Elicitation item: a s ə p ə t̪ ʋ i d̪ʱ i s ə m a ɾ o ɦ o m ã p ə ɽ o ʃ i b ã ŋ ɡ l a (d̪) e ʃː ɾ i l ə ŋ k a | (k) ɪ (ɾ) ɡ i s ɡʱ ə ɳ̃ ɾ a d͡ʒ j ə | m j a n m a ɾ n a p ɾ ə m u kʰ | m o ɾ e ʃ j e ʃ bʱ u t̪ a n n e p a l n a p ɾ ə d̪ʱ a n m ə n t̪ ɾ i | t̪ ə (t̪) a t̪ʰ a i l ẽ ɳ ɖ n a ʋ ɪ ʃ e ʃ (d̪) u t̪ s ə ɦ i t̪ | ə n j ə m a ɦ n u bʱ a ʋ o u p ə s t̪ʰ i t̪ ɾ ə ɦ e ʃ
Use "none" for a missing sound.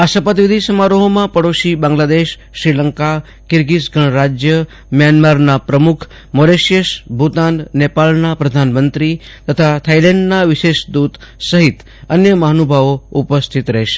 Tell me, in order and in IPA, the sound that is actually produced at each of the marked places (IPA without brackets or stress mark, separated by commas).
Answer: d̪, k, ɾ, t̪ʰ, d̪